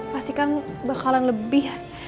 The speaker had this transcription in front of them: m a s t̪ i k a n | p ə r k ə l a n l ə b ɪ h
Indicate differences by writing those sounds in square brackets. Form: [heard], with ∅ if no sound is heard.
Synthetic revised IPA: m a s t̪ i k a n | [b] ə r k [a] l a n l ə b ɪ h